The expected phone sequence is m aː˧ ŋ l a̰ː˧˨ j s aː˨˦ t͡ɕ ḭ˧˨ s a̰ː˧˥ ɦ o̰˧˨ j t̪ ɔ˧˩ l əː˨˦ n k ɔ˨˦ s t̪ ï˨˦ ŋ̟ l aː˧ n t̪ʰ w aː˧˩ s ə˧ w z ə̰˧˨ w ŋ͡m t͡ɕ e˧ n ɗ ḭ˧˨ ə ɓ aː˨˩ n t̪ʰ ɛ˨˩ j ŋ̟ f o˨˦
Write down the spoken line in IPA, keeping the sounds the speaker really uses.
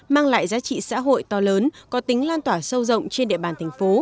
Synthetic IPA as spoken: m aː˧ ŋ l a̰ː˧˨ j z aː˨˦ t͡ɕ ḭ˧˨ s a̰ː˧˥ ɦ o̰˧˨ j t̪ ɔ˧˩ l əː˨˦ n k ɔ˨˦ t̪ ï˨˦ ŋ̟ l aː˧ n t̪ w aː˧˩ s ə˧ w z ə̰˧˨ w ŋ͡m t͡ɕ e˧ n ɗ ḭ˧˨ ə ɓ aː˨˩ n t̪ʰ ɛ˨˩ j ŋ̟ f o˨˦